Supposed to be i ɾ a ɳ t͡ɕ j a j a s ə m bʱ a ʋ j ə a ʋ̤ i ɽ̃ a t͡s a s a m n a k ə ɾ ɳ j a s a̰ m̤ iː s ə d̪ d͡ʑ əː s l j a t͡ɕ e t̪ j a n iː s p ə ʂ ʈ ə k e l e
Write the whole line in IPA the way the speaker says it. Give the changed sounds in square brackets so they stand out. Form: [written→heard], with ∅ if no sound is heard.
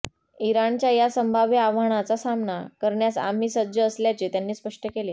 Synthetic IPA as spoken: i ɾ a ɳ t͡ɕ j a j a s ə m bʱ a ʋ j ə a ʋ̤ [i→a] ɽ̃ a t͡s a s a m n a k ə ɾ ɳ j a s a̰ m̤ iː s ə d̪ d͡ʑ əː s l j a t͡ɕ e t̪ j a [n→nː] iː s p ə ʂ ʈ ə k e l e